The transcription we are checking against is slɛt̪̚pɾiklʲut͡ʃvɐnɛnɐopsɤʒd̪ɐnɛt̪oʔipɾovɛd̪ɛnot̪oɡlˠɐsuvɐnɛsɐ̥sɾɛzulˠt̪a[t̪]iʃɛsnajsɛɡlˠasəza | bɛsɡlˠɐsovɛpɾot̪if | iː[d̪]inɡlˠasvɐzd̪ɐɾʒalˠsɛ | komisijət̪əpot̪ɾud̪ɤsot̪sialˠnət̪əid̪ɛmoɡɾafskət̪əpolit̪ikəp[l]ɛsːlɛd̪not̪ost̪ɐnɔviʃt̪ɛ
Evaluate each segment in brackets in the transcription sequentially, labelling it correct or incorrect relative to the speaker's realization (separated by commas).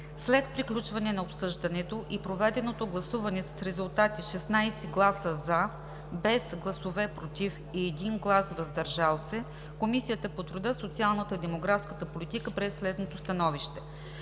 correct, correct, incorrect